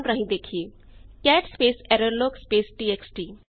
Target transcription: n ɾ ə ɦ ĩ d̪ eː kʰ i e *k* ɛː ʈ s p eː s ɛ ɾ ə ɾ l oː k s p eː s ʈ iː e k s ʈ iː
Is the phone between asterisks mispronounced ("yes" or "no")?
no